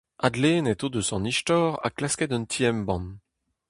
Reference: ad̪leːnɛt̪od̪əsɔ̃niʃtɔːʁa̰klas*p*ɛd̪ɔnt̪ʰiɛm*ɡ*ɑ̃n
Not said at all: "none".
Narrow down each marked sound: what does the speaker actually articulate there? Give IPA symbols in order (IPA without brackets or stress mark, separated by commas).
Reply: k, b